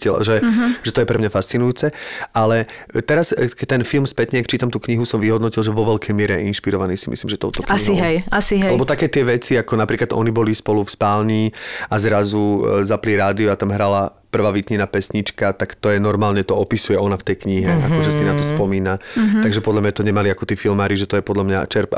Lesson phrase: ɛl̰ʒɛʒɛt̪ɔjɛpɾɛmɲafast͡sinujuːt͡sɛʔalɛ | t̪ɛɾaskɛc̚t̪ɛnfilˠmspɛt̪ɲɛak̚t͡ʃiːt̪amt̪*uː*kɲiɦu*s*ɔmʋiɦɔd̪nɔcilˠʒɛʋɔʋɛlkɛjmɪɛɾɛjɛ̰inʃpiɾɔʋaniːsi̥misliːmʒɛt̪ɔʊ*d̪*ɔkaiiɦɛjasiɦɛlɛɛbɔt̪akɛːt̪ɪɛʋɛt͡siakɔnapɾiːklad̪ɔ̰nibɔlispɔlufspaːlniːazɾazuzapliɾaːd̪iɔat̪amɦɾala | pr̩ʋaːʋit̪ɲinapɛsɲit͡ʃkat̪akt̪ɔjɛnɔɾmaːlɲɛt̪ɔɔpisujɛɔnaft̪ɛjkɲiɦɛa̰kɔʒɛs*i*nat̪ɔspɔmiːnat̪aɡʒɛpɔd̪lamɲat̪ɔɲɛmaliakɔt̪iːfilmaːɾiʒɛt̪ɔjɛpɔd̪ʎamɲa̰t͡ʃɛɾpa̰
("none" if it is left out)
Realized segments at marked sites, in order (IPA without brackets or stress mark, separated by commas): uː, s, t̪, i